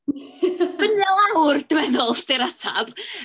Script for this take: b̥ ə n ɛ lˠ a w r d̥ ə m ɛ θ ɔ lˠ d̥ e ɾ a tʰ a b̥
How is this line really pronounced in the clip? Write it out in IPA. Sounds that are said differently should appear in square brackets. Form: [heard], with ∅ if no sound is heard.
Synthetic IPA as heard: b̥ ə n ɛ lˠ a w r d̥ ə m ɛ [ð] ɔ lˠ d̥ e ɾ a tʰ a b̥